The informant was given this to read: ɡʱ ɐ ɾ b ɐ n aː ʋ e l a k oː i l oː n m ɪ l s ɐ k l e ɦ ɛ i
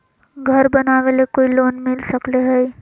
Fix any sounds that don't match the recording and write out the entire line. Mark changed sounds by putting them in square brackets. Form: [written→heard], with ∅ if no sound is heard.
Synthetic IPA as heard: ɡʱ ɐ ɾ b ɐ n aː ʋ e l [a→e] k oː i l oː n m ɪ l s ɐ k l e ɦ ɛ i